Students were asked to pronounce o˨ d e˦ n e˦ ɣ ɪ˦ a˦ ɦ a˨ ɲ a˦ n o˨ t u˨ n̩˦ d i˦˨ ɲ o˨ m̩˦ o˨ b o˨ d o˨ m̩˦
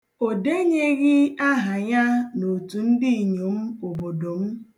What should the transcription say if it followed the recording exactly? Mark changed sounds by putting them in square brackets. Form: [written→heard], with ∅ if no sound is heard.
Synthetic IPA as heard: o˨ d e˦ [n→ɲ] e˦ ɣ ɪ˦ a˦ ɦ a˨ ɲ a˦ n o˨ t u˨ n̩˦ d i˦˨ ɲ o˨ m̩˦ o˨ b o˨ d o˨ m̩˦